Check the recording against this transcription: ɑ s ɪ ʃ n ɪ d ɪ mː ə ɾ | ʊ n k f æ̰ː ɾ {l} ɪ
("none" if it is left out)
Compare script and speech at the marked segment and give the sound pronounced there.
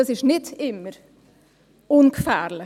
l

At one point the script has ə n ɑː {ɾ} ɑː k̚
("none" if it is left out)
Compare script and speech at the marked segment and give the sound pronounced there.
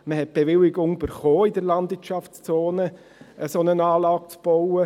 l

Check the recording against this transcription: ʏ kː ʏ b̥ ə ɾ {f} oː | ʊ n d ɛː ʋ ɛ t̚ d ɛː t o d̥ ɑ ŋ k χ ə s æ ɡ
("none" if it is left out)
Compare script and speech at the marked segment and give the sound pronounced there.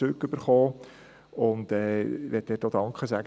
χ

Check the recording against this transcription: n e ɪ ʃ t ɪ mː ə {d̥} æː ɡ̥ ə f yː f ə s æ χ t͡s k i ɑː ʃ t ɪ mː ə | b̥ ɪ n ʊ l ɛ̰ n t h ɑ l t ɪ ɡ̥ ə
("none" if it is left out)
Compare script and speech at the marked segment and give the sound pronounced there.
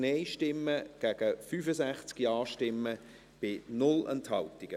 ɡ̥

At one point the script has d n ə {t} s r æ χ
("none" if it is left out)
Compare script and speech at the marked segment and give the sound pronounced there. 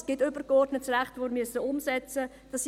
t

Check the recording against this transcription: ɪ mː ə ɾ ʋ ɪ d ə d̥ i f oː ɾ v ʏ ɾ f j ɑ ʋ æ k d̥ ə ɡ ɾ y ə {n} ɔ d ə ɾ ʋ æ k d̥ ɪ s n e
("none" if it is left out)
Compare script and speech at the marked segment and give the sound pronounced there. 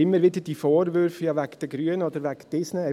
n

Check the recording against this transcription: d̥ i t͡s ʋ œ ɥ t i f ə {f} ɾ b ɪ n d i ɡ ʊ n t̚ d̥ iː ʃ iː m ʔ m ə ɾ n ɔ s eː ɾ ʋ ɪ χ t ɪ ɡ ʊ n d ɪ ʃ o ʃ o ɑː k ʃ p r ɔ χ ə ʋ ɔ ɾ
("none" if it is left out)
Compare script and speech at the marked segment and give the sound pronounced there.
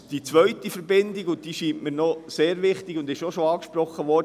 none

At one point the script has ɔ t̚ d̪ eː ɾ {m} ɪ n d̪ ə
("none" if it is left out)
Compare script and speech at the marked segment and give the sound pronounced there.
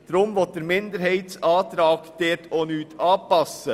m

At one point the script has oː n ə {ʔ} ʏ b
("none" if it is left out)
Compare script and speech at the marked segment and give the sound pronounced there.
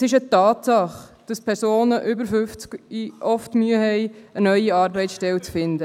ʔ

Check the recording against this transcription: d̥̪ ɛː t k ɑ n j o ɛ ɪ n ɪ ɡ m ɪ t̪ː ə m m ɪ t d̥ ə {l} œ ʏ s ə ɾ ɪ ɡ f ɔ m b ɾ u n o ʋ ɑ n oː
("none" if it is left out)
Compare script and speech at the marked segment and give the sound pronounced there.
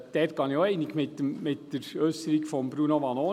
ɾ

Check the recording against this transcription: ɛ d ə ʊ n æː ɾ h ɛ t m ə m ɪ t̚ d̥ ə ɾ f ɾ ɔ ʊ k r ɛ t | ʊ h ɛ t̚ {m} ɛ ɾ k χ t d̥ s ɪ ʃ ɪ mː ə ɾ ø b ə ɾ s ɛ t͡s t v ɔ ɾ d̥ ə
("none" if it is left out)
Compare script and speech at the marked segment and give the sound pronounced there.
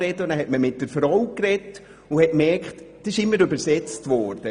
m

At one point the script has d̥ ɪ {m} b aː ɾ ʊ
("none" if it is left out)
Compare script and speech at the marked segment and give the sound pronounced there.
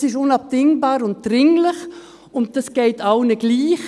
ŋ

